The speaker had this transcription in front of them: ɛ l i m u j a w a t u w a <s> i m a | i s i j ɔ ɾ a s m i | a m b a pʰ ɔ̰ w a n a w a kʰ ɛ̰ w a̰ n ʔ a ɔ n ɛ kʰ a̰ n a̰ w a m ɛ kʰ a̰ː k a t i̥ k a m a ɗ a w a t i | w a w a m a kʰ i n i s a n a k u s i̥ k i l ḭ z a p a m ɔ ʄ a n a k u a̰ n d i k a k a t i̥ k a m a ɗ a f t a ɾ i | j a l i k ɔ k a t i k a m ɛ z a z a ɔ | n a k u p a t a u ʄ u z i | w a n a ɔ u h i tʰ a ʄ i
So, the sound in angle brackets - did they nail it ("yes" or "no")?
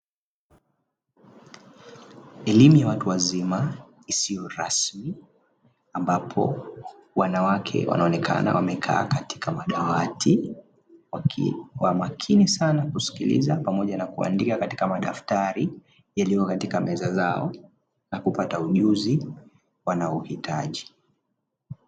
no